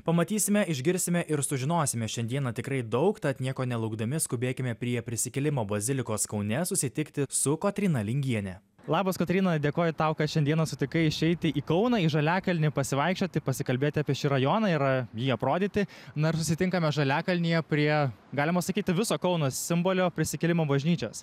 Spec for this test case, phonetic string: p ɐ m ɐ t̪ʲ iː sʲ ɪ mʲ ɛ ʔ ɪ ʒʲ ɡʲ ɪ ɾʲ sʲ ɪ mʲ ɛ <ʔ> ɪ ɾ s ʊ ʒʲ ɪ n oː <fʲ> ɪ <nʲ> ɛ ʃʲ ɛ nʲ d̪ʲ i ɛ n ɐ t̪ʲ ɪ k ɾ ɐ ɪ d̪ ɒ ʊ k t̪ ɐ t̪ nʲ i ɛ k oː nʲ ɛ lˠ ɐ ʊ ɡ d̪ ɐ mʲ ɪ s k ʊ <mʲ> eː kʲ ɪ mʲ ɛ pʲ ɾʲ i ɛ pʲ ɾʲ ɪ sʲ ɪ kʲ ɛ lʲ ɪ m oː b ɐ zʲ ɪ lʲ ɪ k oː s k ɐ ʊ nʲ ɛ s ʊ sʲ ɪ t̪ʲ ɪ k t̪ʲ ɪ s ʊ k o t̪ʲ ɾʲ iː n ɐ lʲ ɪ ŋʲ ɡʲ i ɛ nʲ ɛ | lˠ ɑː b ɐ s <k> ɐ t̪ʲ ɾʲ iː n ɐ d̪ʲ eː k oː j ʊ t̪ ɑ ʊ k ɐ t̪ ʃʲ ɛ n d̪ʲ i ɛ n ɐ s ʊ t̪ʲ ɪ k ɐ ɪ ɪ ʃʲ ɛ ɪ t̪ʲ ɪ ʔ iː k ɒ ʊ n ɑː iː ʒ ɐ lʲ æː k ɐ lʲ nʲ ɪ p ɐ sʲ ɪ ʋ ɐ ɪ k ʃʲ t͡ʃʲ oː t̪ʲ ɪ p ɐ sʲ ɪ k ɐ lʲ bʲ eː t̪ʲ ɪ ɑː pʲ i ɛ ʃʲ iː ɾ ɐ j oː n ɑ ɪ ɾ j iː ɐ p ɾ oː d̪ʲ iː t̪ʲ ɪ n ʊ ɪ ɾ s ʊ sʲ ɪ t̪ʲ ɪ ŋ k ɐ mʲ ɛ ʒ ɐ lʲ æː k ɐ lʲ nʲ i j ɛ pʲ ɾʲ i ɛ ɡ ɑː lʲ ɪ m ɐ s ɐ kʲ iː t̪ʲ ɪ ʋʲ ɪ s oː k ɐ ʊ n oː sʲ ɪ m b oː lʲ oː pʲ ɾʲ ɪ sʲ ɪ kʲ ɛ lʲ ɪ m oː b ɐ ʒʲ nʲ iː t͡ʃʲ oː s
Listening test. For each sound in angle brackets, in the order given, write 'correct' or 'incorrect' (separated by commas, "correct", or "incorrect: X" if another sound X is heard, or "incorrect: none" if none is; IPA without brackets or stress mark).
correct, incorrect: sʲ, incorrect: mʲ, incorrect: bʲ, correct